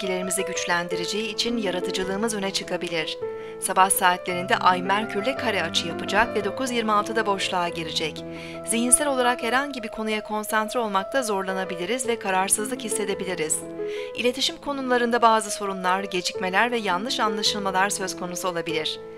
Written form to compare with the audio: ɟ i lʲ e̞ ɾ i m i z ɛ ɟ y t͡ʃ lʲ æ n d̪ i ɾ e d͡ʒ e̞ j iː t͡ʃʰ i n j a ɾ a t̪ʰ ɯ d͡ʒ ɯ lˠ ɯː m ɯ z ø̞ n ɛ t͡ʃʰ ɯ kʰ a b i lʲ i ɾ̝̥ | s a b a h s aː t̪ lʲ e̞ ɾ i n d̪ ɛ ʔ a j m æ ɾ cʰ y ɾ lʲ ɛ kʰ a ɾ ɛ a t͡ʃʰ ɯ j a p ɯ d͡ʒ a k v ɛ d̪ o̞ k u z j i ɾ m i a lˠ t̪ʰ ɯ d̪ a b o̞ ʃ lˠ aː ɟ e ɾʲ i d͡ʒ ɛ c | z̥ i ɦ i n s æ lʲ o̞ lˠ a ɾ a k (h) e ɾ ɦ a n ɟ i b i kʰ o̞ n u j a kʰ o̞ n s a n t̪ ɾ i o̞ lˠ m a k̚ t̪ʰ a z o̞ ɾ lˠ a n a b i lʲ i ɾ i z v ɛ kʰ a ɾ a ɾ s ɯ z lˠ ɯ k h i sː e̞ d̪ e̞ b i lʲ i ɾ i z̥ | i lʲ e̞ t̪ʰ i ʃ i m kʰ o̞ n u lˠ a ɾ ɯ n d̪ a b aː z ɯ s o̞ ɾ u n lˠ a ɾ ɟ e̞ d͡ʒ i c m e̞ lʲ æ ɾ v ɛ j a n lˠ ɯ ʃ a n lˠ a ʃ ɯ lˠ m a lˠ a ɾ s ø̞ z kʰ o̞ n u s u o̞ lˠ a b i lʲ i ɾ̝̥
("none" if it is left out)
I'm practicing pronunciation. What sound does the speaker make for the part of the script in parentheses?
h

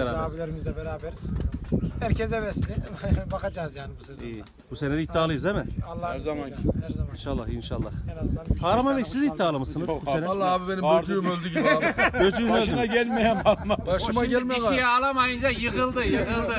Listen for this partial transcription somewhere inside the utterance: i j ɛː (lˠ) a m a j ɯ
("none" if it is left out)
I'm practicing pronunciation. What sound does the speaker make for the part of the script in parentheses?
lˠ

